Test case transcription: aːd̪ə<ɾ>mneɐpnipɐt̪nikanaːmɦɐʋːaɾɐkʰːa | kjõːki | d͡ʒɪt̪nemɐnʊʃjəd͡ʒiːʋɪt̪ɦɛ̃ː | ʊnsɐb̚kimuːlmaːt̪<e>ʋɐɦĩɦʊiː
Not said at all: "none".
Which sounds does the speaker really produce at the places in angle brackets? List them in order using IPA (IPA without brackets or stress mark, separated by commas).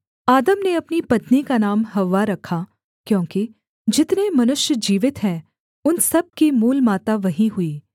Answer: none, a